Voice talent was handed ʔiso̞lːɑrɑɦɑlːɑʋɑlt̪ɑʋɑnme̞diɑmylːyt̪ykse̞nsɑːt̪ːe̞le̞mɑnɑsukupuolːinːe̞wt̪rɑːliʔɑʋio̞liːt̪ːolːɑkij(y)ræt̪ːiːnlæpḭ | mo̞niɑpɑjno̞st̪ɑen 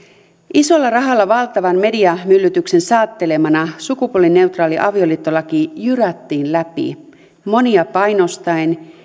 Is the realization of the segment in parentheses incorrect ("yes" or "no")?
no